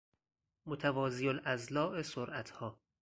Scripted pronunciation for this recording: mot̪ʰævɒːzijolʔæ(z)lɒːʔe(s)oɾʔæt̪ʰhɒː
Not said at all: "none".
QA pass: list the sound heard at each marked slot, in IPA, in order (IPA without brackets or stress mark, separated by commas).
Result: z, s